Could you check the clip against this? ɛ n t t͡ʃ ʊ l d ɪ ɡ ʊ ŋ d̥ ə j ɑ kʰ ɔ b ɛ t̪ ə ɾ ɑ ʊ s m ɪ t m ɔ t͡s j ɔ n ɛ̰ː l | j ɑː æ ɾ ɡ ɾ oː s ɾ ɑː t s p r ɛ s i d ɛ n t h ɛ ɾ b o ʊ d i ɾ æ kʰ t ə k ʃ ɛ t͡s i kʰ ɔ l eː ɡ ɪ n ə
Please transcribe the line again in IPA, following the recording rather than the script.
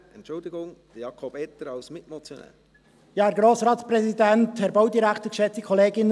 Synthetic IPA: ɛ n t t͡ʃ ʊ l d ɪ ɡ ʊ ŋ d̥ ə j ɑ kʰ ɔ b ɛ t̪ ə ɾ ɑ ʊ s m ɪ t m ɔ t͡s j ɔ n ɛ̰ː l | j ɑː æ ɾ ɡ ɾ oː s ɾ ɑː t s p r ɛ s i d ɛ n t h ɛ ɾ b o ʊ d i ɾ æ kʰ t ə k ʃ ɛ t͡s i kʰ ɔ l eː ɡ ɪ n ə